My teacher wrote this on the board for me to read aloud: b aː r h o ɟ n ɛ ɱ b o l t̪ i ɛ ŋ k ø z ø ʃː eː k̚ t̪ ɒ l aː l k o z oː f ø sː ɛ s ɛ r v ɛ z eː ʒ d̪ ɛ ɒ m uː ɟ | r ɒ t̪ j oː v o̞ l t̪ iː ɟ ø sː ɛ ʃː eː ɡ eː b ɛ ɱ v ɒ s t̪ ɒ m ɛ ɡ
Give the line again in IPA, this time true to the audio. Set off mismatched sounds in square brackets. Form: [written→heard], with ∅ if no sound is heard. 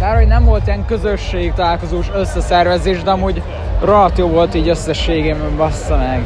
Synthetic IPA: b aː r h o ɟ n ɛ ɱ [b→v] o l t̪ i ɛ ŋ k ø z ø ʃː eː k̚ t̪ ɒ l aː l k o z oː [f→ʃ] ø sː ɛ s ɛ r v ɛ z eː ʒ d̪ ɛ ɒ m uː ɟ | r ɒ t̪ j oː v o̞ l t̪ iː ɟ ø sː ɛ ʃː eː ɡ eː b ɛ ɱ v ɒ s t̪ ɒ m ɛ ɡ